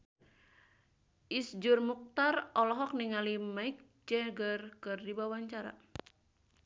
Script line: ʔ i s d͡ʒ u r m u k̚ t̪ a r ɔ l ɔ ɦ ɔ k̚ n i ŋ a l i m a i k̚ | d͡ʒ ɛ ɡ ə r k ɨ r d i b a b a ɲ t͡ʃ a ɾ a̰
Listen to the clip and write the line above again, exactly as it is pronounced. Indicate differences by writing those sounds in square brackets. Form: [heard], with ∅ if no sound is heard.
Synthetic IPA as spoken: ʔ i s d͡ʒ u r m u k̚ t̪ a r ɔ l ɔ ɦ ɔ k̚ n i ŋ a l i m a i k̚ | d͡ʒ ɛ ɡ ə r k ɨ r d i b a [w] a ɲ t͡ʃ a ɾ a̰